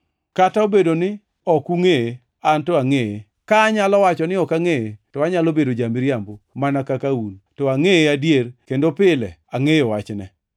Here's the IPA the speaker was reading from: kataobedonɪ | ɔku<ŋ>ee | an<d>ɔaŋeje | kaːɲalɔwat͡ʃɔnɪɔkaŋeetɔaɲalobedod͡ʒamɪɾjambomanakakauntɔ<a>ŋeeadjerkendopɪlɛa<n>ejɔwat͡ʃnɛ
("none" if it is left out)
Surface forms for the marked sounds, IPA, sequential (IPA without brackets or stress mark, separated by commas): ŋ, t, a, ŋ